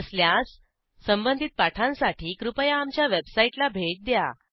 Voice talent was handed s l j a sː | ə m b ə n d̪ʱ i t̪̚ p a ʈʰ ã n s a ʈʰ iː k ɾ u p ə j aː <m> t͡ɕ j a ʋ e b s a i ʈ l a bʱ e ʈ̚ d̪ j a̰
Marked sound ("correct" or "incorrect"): correct